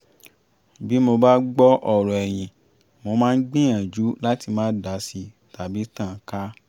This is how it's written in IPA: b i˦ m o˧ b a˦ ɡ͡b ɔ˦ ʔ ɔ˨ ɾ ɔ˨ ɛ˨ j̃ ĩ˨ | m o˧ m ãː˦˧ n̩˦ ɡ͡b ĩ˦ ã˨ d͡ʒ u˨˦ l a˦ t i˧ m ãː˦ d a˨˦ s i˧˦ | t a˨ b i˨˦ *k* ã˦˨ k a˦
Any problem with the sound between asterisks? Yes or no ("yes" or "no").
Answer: yes